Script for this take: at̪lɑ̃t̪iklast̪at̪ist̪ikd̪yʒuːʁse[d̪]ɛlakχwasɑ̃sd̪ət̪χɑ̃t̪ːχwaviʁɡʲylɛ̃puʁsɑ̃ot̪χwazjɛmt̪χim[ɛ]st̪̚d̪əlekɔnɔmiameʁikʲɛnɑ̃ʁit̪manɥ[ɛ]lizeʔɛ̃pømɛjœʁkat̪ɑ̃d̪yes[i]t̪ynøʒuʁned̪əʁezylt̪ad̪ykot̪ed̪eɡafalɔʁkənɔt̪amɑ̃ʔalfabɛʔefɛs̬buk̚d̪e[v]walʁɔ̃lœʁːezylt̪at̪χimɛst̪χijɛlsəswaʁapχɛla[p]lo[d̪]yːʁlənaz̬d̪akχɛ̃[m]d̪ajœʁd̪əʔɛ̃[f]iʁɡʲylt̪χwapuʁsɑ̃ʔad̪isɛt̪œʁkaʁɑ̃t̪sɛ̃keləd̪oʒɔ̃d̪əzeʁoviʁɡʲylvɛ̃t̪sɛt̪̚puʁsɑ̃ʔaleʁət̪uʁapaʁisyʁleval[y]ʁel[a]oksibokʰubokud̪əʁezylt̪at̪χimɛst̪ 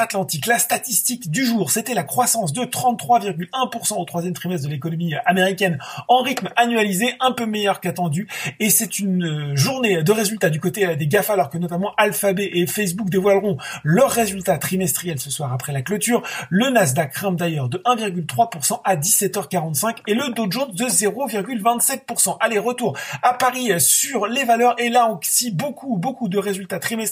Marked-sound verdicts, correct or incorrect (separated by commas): incorrect, correct, incorrect, incorrect, correct, incorrect, incorrect, correct, incorrect, incorrect, correct